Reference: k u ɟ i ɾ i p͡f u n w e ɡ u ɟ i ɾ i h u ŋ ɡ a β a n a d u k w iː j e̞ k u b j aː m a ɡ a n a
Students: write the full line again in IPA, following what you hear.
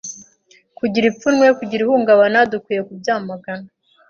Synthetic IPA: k u ɟ i ɾ i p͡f u n w e k u ɟ i ɾ i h u ŋ ɡ a β a n a d u k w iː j e̞ k u b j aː m a ɡ a n a